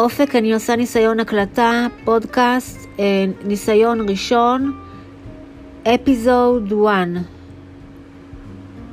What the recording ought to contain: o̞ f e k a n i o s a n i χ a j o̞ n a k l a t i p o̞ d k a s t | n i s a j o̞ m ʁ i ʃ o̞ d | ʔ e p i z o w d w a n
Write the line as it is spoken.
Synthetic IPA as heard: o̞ f e k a n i o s a n i s a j o̞ n a k l a t a p o̞ d k a s t | n i s a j o̞ n ʁ i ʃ o̞ n | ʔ e p i z o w d w a n